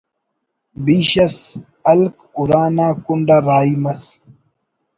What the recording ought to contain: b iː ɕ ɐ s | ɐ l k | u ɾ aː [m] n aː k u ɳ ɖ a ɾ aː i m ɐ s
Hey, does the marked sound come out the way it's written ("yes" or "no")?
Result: no